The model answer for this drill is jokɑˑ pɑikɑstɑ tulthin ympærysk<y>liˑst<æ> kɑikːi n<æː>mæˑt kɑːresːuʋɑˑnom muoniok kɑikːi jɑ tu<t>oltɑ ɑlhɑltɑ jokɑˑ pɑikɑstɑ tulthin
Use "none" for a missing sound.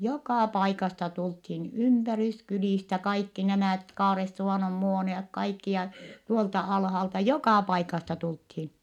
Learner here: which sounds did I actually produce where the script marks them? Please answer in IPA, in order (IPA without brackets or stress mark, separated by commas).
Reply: y, æ, æ, none